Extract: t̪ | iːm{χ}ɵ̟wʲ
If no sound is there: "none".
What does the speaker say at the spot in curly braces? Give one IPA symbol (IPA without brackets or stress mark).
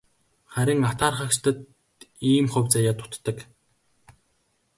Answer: χ